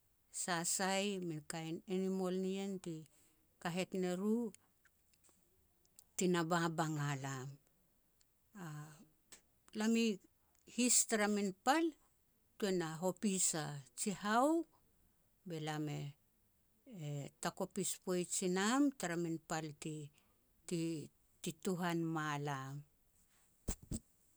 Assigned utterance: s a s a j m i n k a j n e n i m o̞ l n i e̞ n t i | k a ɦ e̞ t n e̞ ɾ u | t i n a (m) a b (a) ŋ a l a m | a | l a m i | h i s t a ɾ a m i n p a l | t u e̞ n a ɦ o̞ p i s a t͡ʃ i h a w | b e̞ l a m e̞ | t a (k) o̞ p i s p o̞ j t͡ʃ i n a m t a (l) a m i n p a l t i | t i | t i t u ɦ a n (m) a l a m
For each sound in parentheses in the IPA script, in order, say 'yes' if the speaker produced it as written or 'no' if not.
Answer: no, yes, yes, no, yes

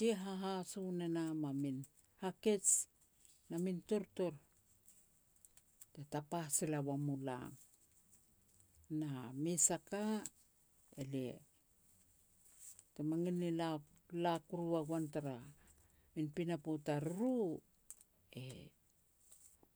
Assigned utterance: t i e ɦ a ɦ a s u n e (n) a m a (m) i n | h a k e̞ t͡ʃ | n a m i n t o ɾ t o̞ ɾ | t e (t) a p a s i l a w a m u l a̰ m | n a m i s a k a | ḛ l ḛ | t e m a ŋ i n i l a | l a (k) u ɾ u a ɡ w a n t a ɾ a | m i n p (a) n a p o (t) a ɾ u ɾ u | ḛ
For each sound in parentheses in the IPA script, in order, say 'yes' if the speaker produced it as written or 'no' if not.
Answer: yes, yes, yes, yes, no, yes

